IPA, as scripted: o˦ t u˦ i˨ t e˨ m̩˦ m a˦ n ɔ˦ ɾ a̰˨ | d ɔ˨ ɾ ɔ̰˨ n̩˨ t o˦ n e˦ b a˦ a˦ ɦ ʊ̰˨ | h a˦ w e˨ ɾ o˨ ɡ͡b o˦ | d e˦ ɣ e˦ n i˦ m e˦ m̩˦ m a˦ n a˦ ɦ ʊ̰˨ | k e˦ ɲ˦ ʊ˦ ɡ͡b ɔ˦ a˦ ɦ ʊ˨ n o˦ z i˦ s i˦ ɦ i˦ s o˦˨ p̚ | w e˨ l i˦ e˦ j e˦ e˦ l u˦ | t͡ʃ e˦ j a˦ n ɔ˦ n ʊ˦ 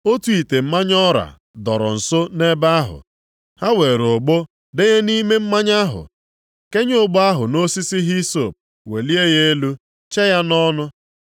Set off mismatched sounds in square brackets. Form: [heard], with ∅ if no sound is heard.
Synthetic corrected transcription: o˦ t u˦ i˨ t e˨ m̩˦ m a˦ [ɲ] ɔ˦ ɾ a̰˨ | d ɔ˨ ɾ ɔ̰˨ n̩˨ [s] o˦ n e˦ b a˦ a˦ ɦ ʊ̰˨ | h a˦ w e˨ ɾ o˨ ɡ͡b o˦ | d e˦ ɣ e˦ n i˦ m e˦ m̩˦ m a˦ [ɲ] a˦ ɦ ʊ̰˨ | k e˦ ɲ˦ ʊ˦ ɡ͡b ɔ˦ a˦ ɦ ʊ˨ n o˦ [s] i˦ s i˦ ɦ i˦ s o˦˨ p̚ | w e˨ l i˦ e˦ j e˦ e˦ l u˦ | t͡ʃ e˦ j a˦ n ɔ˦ n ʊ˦